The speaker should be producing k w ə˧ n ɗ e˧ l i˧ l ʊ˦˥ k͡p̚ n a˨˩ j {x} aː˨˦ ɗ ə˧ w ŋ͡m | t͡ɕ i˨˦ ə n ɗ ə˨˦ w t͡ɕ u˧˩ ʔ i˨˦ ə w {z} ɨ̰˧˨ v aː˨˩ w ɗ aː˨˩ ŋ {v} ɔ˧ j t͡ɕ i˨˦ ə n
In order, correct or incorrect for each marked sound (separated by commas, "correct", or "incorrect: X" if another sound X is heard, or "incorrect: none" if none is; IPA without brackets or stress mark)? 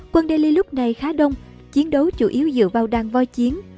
correct, correct, correct